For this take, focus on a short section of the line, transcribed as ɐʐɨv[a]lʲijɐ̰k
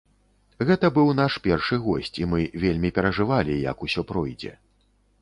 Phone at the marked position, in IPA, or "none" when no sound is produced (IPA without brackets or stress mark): a